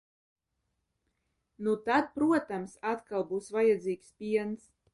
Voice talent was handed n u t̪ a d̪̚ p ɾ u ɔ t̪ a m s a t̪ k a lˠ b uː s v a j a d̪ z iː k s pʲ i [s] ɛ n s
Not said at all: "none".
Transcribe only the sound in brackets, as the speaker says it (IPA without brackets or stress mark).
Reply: none